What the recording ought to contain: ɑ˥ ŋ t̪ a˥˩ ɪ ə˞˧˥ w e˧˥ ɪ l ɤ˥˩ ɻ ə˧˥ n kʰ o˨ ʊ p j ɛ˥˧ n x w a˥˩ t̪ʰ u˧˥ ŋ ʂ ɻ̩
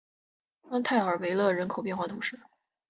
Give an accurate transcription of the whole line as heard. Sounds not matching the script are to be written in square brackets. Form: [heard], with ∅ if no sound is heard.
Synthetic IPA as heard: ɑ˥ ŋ [t̪ʰ] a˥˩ ɪ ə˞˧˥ w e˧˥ ɪ l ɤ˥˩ ɻ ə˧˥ n kʰ o˨ ʊ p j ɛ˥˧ n x w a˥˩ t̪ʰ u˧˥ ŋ ʂ ɻ̩